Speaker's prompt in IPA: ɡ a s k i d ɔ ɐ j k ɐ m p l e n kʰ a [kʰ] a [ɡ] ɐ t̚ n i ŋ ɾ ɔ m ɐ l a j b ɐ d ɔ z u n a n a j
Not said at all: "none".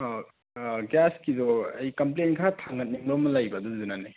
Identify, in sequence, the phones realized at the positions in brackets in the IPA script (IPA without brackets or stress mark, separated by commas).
tʰ, ŋ